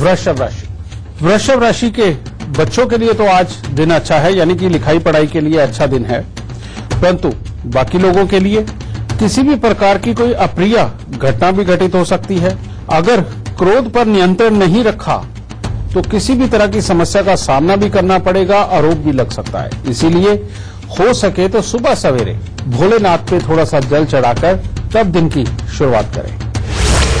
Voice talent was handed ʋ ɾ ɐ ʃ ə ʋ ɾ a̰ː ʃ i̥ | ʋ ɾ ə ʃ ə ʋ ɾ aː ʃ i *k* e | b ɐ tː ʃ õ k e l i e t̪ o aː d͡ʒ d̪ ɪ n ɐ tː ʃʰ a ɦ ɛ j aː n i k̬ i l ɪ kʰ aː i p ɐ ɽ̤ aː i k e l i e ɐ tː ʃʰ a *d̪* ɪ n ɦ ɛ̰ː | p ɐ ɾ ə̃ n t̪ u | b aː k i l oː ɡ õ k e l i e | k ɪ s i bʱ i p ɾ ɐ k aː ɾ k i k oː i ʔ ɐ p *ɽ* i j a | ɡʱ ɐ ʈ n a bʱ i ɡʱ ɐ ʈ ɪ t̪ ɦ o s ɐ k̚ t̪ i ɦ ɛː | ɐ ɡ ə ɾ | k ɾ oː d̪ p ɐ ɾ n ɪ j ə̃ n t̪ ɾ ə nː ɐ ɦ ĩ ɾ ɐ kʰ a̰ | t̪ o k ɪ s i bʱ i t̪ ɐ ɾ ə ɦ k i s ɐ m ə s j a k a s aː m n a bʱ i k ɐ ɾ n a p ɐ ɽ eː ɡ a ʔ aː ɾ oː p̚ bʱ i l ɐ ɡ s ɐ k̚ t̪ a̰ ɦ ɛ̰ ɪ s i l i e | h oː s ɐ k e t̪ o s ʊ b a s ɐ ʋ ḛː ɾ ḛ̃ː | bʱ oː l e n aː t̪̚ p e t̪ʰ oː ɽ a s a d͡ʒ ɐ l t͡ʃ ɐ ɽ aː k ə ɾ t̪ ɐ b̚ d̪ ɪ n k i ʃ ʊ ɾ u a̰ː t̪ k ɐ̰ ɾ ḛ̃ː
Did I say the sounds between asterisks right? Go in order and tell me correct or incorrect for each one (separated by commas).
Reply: correct, correct, incorrect